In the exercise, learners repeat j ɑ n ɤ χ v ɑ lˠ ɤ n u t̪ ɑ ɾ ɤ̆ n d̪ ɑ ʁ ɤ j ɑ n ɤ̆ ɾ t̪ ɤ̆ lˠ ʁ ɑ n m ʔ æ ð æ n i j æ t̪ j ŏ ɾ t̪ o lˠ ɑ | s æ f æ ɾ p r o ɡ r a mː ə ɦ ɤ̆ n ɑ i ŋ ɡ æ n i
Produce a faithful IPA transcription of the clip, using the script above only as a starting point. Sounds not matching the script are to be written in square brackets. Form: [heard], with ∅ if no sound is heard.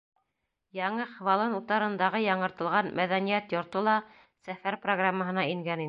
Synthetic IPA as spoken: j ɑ [ɴ] ɤ χ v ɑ lˠ ɤ n u t̪ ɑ ɾ ɤ̆ n d̪ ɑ ʁ ɤ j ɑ [ɴ] ɤ̆ ɾ t̪ ɤ̆ lˠ ʁ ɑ n m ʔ æ ð æ n i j æ t̪ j ŏ ɾ t̪ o lˠ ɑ | s æ f æ ɾ p r o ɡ r a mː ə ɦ ɤ̆ n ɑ i ŋ ɡ æ n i